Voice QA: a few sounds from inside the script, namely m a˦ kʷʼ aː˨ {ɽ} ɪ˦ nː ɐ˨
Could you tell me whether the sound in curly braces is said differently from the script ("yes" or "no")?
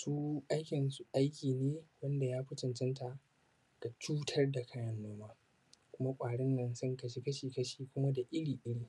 no